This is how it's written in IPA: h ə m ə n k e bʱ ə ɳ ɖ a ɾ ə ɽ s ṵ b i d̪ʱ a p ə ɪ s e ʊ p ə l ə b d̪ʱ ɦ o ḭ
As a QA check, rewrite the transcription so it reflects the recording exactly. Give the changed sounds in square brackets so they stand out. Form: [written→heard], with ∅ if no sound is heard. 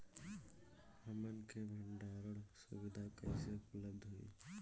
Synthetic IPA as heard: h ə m ə n k e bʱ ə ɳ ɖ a ɾ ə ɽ s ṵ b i d̪ʱ a [p→k] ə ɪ s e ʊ p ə l ə b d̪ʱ ɦ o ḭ